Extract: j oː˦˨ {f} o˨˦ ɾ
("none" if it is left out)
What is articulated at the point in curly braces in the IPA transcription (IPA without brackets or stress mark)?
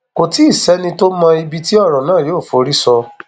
f